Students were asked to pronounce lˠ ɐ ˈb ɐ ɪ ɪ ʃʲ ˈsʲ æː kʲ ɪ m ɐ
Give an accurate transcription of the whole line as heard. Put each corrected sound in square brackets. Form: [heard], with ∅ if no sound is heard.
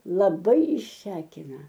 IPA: lˠ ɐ ˈb ɐ ɪ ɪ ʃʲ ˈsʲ æː kʲ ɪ [n] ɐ